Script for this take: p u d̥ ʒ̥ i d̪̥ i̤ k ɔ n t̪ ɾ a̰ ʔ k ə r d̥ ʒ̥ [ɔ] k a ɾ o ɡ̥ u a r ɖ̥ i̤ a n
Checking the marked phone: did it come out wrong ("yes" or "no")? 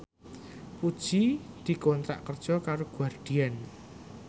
no